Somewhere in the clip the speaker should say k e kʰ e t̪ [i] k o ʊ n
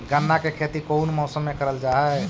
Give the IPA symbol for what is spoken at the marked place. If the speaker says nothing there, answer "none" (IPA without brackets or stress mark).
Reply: i